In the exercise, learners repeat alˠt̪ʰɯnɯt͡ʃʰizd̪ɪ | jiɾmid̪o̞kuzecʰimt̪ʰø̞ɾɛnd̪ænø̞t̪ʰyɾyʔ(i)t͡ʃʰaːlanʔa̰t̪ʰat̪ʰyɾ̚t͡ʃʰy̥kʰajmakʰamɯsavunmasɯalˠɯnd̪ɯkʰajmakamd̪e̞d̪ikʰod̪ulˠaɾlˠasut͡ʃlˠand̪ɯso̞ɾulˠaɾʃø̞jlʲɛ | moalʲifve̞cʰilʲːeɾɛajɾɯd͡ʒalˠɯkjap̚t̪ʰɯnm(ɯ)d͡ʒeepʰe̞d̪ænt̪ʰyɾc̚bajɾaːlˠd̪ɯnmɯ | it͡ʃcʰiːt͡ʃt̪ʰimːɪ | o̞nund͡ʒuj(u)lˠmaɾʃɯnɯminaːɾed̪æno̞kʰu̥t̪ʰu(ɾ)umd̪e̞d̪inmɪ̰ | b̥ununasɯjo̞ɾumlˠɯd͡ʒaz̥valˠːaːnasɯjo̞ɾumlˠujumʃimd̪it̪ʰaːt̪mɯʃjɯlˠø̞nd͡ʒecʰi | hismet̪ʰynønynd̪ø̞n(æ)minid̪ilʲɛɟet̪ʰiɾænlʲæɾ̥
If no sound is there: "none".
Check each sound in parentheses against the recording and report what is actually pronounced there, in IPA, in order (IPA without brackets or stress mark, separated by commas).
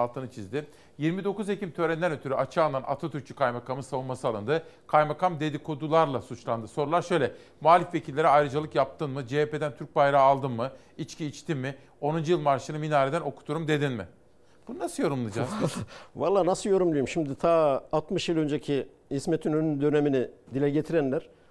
a, ɯ, ɯ, ɾ, e